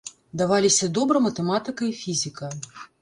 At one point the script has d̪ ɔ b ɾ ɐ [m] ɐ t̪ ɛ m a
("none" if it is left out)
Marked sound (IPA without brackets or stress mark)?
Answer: m